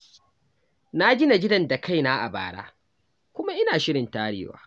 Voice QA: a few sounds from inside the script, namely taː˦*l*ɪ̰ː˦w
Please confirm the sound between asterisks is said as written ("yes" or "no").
no